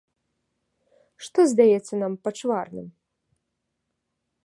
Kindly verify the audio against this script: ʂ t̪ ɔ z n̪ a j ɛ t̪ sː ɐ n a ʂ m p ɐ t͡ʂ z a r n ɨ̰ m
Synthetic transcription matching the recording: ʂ t̪ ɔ z d̪ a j ɛ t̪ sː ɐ n a m p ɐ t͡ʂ v a r n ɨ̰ m